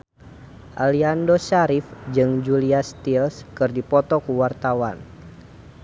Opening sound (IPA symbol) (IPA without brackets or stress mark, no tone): ʔ